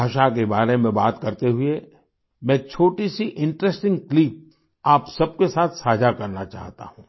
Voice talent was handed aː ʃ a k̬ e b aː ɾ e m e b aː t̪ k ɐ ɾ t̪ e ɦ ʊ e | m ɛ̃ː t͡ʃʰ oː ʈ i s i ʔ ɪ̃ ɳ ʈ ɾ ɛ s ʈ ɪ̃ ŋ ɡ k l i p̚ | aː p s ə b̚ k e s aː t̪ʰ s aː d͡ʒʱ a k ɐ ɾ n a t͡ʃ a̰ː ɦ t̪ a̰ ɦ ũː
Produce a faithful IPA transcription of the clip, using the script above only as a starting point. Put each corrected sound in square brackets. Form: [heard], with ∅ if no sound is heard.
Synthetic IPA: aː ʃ a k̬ e b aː ɾ e m [ẽ] b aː t̪ k ɐ ɾ t̪ e ɦ ʊ e | m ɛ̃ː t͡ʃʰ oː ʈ i s i ʔ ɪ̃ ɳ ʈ ɾ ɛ s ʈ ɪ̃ ŋ ɡ k l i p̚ | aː p s [ɐ] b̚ k e s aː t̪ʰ s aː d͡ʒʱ a k ɐ ɾ n a t͡ʃ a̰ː ɦ t̪ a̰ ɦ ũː